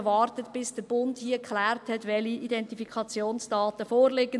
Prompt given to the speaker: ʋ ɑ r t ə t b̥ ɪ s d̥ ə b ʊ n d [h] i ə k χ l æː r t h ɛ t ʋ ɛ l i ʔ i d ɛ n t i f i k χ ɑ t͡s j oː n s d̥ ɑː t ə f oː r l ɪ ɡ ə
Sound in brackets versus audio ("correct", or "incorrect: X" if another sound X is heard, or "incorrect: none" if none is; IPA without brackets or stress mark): correct